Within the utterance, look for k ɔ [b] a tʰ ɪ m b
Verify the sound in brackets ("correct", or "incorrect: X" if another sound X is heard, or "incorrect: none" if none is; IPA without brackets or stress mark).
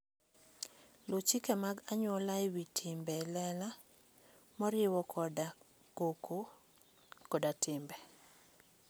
incorrect: d